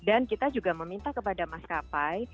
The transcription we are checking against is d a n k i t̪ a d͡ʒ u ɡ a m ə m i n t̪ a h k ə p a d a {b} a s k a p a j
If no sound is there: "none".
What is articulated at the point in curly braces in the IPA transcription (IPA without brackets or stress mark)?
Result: m